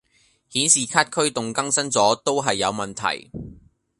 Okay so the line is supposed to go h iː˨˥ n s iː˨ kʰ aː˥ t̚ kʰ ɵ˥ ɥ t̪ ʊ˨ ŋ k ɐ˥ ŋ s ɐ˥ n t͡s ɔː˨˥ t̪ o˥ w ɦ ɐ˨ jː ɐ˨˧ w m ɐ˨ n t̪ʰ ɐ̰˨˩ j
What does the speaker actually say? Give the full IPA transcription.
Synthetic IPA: h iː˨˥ n s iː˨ kʰ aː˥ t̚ kʰ ɵ˥ ɥ t̪ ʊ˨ ŋ k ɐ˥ ŋ s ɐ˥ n t͡s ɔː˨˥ t̪ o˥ w ɦ ɐ˨ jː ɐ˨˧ w m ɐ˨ n t̪ʰ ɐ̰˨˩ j